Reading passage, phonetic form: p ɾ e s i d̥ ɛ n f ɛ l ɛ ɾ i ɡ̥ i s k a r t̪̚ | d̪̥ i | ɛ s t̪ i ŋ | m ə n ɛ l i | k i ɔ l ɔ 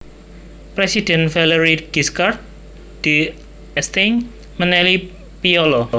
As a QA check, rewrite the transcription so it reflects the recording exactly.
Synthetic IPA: p ɾ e s i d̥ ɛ n f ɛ l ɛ ɾ i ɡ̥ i s k a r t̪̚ | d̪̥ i | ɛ s t̪ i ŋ | m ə n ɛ l i | p i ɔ l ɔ